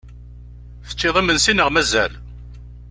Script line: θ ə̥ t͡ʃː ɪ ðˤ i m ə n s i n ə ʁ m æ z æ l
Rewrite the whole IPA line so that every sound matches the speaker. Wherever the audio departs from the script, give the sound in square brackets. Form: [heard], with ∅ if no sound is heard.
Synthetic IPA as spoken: θ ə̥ t͡ʃː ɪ ðˤ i m ə n s i n ə ʁ m æ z æ l